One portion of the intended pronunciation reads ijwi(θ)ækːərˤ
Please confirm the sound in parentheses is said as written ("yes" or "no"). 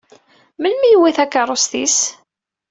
yes